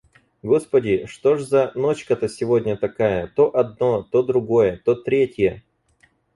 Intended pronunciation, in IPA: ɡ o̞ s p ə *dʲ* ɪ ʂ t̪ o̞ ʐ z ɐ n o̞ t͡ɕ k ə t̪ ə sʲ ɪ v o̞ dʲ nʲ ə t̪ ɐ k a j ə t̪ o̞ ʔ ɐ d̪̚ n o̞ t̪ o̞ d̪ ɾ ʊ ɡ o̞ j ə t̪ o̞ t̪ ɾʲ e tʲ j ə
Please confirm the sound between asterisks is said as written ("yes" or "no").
yes